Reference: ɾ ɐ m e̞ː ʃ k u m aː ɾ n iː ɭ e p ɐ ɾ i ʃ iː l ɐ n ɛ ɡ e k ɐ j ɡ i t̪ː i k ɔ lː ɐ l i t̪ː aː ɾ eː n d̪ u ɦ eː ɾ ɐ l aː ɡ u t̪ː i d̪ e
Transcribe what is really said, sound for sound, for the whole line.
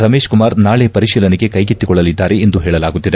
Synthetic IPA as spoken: ɾ ɐ m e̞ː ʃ k u m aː ɾ n aː ɭ e p ɐ ɾ i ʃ iː l ɐ n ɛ ɡ e k ɐ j ɡ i t̪ː i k ɔ ɭː ɐ l i d̪ː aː ɾ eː n d̪ u ɦ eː ɭ ɐ l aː ɡ u t̪ː i d̪ e